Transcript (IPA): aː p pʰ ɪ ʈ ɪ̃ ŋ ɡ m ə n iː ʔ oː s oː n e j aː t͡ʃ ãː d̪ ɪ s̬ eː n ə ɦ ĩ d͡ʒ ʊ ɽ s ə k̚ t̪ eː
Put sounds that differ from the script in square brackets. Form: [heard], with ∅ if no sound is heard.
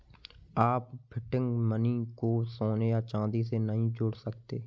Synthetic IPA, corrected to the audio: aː p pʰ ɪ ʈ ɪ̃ ŋ ɡ m ə n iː [k] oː s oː n e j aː t͡ʃ ãː d̪ [i] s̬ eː n ə ɦ ĩ d͡ʒ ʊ ɽ s ə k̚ t̪ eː